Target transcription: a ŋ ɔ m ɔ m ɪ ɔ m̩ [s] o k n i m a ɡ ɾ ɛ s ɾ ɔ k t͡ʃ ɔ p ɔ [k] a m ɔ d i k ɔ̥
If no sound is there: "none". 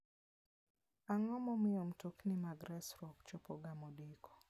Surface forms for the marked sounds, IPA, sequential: t, ɡ

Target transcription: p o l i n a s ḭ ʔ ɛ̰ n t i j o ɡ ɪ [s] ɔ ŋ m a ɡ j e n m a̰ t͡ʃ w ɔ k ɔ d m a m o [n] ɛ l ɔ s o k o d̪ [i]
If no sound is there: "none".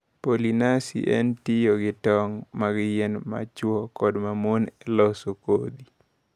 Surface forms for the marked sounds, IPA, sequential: t, n, i

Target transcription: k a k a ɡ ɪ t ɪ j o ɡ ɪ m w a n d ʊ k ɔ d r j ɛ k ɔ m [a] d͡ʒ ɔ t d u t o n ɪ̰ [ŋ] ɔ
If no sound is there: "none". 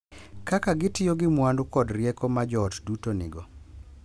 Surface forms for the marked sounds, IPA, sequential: a, ɡ

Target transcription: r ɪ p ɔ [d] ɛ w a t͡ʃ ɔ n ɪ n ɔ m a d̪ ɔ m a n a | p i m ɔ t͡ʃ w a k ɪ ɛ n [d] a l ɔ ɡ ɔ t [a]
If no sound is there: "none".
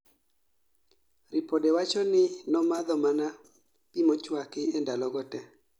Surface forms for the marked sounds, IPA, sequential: d, d, ɛ

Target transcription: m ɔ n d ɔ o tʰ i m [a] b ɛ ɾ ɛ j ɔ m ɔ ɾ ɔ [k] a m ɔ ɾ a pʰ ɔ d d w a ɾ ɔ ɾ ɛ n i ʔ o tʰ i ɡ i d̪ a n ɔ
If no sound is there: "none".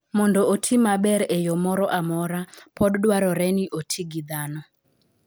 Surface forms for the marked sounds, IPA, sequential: a, ʔ

